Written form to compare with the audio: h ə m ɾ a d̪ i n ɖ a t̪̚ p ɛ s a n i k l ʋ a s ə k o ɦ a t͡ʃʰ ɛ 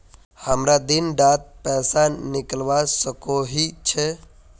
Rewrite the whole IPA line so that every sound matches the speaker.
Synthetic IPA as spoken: h ə m ɾ a d̪ i n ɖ a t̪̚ p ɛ s a n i k l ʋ a s ə k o ɦ i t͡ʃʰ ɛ